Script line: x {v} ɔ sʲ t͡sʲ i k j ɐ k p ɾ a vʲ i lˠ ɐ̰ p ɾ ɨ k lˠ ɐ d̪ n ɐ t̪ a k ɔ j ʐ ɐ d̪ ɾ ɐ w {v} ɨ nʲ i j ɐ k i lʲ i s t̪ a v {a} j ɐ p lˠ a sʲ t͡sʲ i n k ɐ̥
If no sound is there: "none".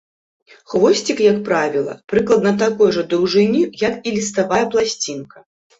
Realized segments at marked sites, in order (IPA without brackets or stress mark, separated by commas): v, ʐ, a